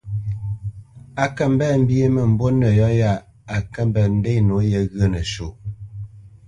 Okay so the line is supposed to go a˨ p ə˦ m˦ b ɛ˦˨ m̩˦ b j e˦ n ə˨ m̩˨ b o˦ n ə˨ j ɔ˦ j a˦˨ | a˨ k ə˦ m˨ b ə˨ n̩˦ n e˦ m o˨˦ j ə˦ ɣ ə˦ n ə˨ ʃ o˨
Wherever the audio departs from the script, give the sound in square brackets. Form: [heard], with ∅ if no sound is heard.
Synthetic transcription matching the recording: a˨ [k] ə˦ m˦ b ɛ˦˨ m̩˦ b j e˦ [m] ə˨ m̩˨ b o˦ n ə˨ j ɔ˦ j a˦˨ | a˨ k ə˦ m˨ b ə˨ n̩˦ [d] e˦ [n] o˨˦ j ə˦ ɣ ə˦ n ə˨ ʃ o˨

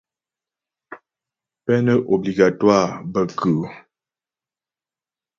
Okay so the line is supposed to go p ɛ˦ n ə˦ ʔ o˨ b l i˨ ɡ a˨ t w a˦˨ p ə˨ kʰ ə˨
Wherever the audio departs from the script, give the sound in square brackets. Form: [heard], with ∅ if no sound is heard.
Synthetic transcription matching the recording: p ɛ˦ n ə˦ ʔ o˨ b l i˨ ɡ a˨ t w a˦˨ [b] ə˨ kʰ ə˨

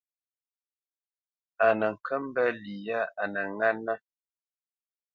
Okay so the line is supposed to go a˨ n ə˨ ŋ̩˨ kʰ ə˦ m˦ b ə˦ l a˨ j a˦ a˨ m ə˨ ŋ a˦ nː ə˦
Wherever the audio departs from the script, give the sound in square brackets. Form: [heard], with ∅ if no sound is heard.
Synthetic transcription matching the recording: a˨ n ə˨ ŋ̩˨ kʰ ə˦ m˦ b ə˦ l [i˨] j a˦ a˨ [n] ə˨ ŋ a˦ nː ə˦

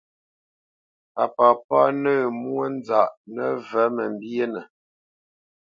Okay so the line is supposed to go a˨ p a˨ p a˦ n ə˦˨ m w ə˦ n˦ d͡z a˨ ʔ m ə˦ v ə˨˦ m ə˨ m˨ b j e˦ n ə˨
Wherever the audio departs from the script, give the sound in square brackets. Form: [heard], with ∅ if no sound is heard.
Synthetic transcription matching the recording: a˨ p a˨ p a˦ n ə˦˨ m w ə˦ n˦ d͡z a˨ ʔ [n] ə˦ v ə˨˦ m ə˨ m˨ b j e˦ n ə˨

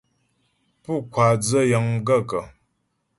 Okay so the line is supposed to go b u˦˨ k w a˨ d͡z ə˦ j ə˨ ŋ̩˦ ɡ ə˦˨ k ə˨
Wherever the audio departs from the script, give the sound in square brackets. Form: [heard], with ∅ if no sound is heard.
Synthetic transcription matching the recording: [p] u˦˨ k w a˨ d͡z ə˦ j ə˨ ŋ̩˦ ɡ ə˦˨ k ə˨

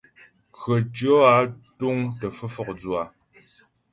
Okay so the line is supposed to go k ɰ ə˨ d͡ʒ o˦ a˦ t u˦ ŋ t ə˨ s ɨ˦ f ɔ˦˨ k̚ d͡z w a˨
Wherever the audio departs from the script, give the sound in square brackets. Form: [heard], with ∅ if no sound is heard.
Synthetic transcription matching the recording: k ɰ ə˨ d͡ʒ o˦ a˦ t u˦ ŋ t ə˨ [f] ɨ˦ f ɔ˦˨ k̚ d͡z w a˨

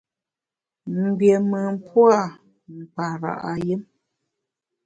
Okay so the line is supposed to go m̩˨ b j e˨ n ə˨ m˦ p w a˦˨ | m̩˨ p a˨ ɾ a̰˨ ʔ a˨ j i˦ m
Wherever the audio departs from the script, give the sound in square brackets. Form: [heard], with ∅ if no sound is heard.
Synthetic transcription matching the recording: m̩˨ b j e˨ [m] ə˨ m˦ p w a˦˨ | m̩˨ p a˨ ɾ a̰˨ ʔ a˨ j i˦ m

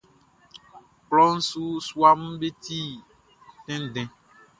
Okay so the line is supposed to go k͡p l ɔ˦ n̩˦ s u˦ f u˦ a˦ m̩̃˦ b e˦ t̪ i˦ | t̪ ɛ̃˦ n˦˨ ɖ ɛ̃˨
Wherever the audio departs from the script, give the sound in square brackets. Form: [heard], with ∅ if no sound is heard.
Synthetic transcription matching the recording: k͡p l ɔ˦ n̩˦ s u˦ [s] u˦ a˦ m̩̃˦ b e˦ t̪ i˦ | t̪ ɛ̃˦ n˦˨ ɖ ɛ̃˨

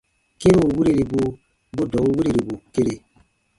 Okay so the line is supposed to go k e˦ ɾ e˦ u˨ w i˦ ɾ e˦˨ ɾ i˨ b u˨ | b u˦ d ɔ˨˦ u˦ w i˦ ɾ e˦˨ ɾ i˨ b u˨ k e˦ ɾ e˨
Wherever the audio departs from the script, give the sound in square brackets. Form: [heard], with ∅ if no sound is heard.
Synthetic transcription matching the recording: k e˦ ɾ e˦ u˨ w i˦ ɾ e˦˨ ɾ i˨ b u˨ | b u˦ d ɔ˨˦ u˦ w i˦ ɾ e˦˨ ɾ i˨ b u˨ k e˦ ɾ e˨

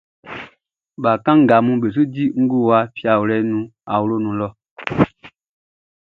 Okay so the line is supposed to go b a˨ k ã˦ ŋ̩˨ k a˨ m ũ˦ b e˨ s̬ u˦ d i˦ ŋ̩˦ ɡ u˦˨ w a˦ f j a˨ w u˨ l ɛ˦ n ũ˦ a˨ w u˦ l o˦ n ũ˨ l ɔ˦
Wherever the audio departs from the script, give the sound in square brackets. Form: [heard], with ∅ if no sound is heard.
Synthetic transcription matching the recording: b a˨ k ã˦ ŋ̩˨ [ɡ] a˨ m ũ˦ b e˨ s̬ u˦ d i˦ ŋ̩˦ ɡ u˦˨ w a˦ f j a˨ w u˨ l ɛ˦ n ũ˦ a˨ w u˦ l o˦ n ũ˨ l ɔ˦

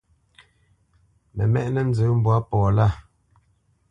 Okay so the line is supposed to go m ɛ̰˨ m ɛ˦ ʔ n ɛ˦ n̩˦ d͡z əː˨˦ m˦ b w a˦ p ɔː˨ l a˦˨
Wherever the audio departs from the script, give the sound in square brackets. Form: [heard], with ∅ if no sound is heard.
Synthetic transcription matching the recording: m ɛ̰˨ m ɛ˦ ʔ n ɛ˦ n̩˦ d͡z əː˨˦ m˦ b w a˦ p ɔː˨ l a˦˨

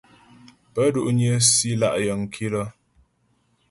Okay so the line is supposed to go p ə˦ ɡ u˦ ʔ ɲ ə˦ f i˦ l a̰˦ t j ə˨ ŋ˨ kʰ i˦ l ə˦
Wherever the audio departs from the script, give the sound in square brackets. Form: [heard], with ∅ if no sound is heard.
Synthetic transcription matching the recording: p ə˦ [d] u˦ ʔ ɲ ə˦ [s] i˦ l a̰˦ [ʔ] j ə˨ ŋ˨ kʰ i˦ l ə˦

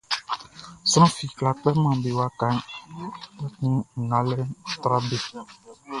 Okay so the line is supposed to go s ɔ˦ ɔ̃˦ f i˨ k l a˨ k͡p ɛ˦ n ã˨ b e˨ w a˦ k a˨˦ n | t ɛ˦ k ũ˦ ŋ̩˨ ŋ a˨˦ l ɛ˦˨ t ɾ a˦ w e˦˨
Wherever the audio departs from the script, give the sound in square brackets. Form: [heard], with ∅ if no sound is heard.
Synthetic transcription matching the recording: s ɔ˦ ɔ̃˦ f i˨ k l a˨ k͡p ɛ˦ [m] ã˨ b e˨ w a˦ k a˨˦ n | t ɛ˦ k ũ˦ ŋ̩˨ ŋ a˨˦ l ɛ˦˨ t ɾ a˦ [b] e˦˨

